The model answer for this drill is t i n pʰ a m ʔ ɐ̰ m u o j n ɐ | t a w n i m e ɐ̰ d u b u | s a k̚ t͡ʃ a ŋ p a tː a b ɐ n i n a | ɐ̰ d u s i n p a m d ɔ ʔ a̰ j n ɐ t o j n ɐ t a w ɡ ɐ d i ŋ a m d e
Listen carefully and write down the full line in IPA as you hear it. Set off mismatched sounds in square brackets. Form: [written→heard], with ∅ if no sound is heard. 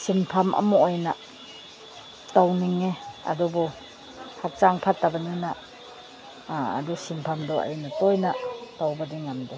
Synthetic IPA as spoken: [t→s] i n pʰ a m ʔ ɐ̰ m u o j n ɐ | t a w n i [m→ŋ] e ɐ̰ d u b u | [s→h] a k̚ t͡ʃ a ŋ [p→pʰ] a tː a b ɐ n i n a | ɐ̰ d u s i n [p→pʰ] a m d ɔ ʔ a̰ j n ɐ t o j n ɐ t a w [ɡ→b] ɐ d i ŋ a m d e